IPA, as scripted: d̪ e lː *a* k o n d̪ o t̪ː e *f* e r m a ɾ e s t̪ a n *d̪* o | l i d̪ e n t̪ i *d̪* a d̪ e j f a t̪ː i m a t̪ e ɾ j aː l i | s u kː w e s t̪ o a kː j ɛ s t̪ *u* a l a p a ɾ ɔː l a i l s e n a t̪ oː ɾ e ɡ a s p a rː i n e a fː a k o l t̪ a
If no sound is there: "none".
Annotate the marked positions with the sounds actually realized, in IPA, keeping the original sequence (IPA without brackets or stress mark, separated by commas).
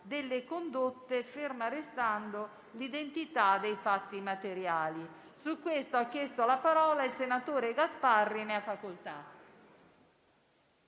e, f, d̪, t̪, o